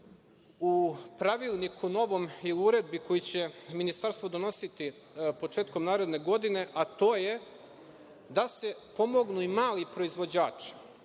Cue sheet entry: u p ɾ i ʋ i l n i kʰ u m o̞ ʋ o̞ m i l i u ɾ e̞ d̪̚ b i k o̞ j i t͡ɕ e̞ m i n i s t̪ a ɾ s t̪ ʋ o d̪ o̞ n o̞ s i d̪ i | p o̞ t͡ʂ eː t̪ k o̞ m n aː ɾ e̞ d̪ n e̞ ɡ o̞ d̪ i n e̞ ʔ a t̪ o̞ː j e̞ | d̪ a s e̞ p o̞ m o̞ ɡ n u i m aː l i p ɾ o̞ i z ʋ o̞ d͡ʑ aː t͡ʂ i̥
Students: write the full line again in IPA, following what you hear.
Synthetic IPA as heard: u p ɾ a ʋ i l n i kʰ u n o̞ ʋ o̞ m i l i u ɾ e̞ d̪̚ b i k o̞ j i t͡ɕ e̞ m i n i s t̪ a ɾ s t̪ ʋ o d̪ o̞ n o̞ s i t̪ i | p o̞ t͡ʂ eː t̪ k o̞ m n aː ɾ e̞ d̪ n e̞ ɡ o̞ d̪ i n e̞ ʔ a t̪ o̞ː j e̞ | d̪ a s e̞ p o̞ m o̞ ɡ n u i m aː l i p ɾ o̞ i z ʋ o̞ d͡ʑ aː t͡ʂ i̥